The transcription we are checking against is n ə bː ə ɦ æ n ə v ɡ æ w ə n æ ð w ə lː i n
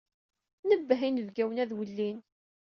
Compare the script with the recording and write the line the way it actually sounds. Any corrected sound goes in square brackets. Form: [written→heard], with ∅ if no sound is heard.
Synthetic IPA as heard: n ə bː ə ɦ [æ→i] n ə v ɡ æ w ə n æ ð w ə lː i n

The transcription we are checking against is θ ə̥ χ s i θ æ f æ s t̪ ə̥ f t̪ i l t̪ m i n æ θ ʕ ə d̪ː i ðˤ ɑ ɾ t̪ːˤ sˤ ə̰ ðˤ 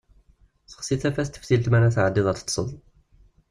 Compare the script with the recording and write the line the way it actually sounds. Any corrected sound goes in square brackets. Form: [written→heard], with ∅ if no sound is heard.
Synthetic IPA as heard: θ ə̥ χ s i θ æ f æ s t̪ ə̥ f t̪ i l t̪ m [i→æ] n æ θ ʕ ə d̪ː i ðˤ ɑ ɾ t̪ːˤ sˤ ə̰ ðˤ

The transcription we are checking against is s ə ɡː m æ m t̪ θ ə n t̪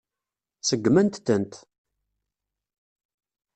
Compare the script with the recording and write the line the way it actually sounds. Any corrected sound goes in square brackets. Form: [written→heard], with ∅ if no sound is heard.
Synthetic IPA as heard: s ə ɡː m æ [m→n] t̪ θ ə n t̪

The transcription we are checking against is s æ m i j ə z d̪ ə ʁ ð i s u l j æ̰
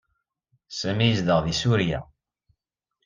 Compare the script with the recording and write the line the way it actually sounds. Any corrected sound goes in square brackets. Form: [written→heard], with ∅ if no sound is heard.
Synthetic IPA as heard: s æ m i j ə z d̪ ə ʁ ð i s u [l→ɾ] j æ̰

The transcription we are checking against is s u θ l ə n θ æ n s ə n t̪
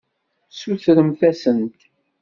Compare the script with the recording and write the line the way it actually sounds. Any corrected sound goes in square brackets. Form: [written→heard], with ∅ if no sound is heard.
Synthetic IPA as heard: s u θ [l→ɾ] ə [n→m] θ æ [n→∅] s ə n t̪

